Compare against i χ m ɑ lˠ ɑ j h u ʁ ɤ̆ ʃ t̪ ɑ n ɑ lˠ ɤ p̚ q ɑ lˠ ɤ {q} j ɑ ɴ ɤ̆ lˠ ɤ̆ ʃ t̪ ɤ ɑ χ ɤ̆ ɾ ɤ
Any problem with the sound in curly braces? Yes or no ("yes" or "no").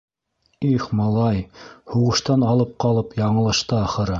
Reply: yes